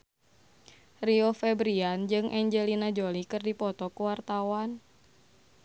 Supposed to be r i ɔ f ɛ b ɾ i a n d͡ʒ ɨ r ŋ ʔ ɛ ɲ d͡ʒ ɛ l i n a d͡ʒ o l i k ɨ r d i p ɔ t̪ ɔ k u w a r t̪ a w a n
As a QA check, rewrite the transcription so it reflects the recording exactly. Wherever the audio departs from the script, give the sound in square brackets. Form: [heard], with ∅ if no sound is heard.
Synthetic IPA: r i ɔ f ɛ b ɾ i a n d͡ʒ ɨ [∅] ŋ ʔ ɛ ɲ d͡ʒ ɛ l i n a d͡ʒ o l i k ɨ r d i p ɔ t̪ ɔ k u w a r t̪ a w a n